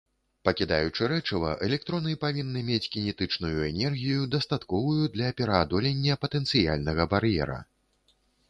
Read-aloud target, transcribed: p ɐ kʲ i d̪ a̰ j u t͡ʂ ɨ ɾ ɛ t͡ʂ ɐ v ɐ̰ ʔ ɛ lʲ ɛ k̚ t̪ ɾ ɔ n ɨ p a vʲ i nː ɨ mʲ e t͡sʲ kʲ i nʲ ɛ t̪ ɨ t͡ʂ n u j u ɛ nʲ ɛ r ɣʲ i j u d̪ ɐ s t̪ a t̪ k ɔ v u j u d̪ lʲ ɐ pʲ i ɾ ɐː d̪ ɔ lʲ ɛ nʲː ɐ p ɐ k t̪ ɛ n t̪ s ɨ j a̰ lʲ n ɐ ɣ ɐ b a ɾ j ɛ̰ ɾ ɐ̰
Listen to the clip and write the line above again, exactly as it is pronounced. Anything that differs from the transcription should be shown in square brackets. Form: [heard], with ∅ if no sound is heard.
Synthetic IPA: p ɐ kʲ i d̪ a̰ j u t͡ʂ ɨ ɾ ɛ t͡ʂ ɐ v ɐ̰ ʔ ɛ lʲ ɛ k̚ t̪ ɾ ɔ n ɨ p a vʲ i nː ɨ mʲ e t͡sʲ kʲ i nʲ ɛ t̪ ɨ t͡ʂ n u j u ɛ nʲ ɛ r ɣʲ i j u d̪ ɐ s t̪ a t̪ k ɔ v u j u d̪ lʲ ɐ pʲ [ɛ] ɾ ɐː d̪ ɔ lʲ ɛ nʲː ɐ p ɐ [∅] t̪ ɛ n t̪ s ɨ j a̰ lʲ n ɐ ɣ ɐ b a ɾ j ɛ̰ ɾ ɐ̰